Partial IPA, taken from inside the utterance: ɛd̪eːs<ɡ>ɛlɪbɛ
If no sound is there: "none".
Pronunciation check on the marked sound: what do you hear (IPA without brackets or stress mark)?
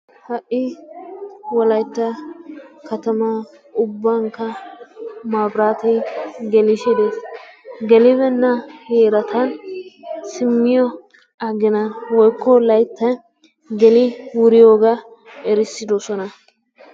ɡ